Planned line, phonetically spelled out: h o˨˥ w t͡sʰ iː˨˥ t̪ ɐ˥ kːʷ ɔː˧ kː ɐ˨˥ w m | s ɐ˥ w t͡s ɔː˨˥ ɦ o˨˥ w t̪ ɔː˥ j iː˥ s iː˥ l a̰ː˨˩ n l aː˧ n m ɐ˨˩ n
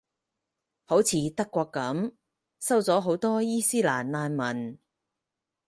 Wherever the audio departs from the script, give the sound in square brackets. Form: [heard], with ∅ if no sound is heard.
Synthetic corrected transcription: h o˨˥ w t͡sʰ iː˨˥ t̪ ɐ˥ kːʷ ɔː˧ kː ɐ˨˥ [∅] m | s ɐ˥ w t͡s ɔː˨˥ ɦ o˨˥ w t̪ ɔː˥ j iː˥ s iː˥ l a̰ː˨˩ n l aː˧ n m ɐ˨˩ n